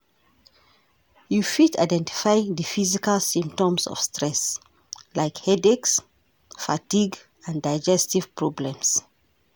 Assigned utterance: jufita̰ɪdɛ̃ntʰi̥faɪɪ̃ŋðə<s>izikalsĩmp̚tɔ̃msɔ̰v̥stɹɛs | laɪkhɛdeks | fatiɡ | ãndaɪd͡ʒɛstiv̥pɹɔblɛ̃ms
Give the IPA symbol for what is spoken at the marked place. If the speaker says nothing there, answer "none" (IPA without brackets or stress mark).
f